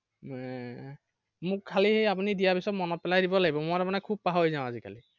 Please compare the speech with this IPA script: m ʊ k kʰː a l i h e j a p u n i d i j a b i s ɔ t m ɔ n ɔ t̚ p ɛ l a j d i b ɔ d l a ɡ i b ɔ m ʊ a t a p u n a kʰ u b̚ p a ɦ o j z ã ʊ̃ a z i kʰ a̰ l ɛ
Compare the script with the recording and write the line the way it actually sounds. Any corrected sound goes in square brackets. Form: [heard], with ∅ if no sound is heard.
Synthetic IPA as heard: m ʊ k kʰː a l i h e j a p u n i d i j a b i s ɔ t m ɔ n ɔ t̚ p ɛ l a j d i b ɔ [∅] l a ɡ i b ɔ m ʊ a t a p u n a kʰ u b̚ p a ɦ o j z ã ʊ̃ a z i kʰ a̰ l [i]